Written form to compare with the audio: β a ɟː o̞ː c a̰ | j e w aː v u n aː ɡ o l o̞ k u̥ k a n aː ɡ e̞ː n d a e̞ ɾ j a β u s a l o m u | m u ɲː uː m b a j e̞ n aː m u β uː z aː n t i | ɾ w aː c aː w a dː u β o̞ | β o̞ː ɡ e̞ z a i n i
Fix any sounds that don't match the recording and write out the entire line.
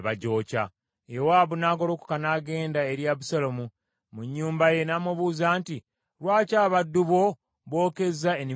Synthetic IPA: β a ɟ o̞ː c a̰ | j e w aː β u n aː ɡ o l o̞ k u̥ k a n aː ɡ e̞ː n d a e̞ ɾ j a β u s a l o m u | m u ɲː uː m b a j e̞ n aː m u β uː z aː n t i | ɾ w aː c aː β a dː u β o̞ | β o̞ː k e̞ z a e n i